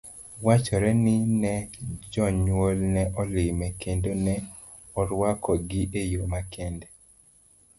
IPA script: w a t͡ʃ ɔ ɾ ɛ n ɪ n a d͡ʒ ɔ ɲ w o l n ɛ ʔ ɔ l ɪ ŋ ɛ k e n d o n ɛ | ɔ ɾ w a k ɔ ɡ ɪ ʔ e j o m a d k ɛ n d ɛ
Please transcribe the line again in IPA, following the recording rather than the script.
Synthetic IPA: w a t͡ʃ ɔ ɾ ɛ n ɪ n ɛ d͡ʒ ɔ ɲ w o l n ɛ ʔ ɔ l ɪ m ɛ k e n d o n ɛ | ɔ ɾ w a k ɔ ɡ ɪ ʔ e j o m a k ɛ n d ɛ